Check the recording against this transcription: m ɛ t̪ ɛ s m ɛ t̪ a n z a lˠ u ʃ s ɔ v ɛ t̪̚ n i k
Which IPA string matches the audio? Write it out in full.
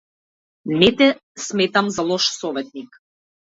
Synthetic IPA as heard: n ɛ t̪ ɛ s m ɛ t̪ a m z a lˠ ɔ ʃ s ɔ v ɛ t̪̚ n i k

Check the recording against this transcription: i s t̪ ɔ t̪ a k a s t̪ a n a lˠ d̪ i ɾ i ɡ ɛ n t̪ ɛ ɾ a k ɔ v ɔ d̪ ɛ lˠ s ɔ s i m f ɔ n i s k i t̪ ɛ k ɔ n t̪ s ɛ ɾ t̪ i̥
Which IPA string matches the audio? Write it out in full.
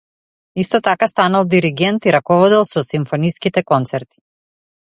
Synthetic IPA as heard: i s t̪ ɔ t̪ a k a s t̪ a n a lˠ d̪ i ɾ i ɡ ɛ n t̪ i ɾ a k ɔ v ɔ d̪ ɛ lˠ s ɔ s i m f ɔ n i s k i t̪ ɛ k ɔ n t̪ s ɛ ɾ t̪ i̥

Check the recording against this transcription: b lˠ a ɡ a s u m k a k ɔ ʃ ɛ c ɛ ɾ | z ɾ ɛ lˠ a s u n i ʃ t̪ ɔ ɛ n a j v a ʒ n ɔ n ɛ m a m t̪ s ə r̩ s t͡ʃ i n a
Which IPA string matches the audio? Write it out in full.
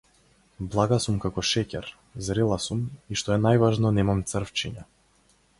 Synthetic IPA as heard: b lˠ a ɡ a s u m k a k ɔ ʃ ɛ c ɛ ɾ | z ɾ ɛ lˠ a s u m i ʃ t̪ ɔ ɛ n a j v a ʒ n ɔ n ɛ m a m t̪ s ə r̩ f t͡ʃ i ɲ a

